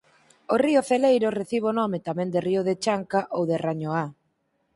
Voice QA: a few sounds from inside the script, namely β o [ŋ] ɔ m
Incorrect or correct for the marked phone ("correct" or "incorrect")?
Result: incorrect